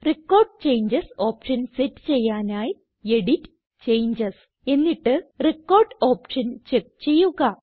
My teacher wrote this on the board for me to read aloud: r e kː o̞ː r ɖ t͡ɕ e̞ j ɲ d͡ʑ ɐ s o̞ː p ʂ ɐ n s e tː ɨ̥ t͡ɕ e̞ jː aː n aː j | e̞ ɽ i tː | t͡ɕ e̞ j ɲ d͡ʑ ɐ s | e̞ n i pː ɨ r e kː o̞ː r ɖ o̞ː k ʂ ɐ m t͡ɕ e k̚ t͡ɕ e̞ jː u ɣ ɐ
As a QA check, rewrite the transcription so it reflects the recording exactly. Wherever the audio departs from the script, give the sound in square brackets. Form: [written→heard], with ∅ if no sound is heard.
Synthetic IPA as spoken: r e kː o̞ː r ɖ t͡ɕ e̞ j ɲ d͡ʑ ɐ s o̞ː p ʂ ɐ n s e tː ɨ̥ t͡ɕ e̞ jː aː n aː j | e̞ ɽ i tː | t͡ɕ e̞ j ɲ d͡ʑ ɐ s | e̞ [n→nː] i [pː→ʈː] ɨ r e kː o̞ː r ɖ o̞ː [k→p] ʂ ɐ [m→n] t͡ɕ e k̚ t͡ɕ e̞ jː u ɣ ɐ

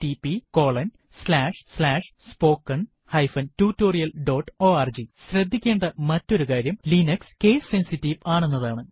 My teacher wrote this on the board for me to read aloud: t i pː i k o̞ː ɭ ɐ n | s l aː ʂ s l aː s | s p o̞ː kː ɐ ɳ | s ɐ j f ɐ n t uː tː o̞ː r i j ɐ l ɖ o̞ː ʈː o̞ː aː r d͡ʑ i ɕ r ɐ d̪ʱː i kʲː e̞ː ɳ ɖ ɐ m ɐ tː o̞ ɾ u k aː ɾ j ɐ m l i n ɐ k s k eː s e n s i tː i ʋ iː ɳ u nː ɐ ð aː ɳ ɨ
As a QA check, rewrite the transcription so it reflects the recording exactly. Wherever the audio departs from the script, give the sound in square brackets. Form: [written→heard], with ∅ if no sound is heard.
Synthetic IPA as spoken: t i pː i k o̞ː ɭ ɐ n | s l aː ʂ s l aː [s→ʂ] | s p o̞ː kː ɐ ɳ | [s→h] ɐ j f ɐ n t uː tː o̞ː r i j ɐ l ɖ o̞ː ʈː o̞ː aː r d͡ʑ i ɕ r ɐ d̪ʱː i kʲː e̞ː ɳ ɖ ɐ m ɐ tː o̞ ɾ u k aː ɾ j ɐ m l i n ɐ k s k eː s e n s i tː i ʋ [iː→aː] ɳ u nː ɐ ð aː ɳ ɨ

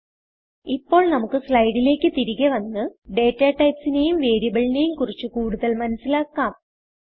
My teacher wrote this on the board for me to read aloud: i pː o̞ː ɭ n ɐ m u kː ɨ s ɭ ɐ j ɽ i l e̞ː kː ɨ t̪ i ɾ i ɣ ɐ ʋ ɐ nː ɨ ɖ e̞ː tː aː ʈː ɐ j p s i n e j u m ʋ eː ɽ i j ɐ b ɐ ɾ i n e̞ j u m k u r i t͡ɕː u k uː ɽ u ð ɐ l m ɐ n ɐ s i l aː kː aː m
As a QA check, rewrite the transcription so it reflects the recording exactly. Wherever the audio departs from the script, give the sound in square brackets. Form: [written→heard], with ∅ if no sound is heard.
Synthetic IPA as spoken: i pː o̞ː ɭ n ɐ m u kː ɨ s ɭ ɐ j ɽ i l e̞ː kː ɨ t̪ i ɾ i ɣ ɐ ʋ ɐ nː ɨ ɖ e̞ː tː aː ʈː ɐ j p s i n e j u m ʋ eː [ɽ→ɾ] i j ɐ b ɐ [ɾ→ɭ] i n e̞ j u m k u r i t͡ɕː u k uː ɽ u ð ɐ l m ɐ n ɐ s i l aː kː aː m

